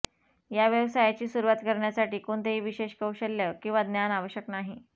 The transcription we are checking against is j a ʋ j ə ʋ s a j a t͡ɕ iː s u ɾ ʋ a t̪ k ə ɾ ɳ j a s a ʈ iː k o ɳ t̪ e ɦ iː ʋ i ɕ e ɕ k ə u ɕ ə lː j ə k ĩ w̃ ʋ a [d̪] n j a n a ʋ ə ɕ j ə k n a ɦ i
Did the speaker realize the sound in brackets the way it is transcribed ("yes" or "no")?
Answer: yes